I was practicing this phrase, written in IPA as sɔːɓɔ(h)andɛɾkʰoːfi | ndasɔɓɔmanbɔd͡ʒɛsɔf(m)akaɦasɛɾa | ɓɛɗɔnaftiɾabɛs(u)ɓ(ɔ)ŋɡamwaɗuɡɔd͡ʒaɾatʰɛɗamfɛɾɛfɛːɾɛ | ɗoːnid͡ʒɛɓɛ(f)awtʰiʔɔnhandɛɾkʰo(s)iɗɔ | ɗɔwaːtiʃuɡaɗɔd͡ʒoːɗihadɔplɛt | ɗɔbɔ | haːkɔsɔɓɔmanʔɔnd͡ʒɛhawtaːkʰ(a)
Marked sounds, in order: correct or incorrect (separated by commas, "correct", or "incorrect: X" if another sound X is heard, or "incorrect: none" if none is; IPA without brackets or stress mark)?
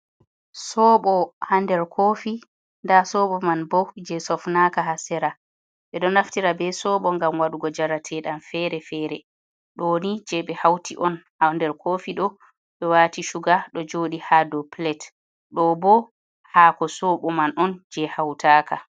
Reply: correct, incorrect: n, incorrect: ɔ, correct, incorrect: h, incorrect: f, correct